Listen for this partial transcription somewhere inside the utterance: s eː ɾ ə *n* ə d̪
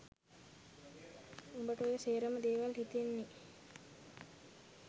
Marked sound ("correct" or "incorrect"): incorrect